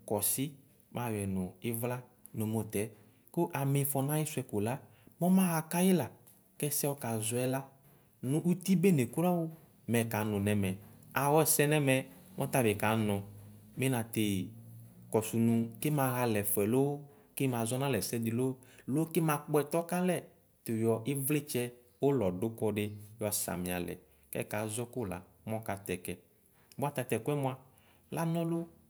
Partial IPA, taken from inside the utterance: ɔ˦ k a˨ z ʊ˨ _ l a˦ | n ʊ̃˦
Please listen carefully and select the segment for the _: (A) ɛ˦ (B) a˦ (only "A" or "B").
A